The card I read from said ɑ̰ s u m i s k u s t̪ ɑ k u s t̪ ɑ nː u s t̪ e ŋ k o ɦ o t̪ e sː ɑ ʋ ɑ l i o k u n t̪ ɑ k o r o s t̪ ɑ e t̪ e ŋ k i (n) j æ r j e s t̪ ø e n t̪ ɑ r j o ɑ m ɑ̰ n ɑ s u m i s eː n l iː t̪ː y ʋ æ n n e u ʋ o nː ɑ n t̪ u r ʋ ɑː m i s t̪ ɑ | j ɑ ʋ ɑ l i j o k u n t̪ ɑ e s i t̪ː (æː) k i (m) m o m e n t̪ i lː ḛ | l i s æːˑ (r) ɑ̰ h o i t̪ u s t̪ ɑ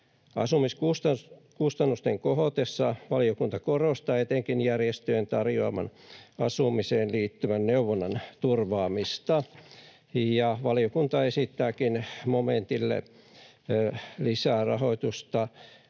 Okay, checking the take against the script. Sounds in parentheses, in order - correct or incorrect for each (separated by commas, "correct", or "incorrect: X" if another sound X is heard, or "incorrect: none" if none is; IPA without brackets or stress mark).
correct, correct, incorrect: n, correct